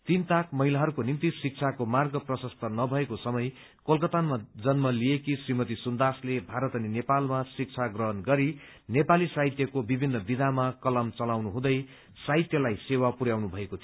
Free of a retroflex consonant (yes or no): yes